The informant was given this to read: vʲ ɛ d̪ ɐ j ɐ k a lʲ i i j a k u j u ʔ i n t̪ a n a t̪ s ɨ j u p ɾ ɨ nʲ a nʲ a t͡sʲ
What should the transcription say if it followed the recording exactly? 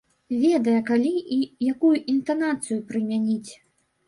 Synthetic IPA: vʲ ɛ d̪ ɐ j ɐ k a lʲ i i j a k u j u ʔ i n t̪ a n a t̪ s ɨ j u p ɾ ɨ mʲ a nʲ i t͡sʲ